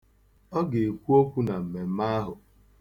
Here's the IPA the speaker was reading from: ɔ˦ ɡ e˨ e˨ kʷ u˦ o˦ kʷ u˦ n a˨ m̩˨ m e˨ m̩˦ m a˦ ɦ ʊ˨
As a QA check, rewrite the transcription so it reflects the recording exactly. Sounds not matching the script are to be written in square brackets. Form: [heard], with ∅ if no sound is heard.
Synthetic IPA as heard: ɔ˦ ɡ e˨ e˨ kʷ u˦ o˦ kʷ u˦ n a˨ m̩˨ m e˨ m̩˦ m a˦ ɦ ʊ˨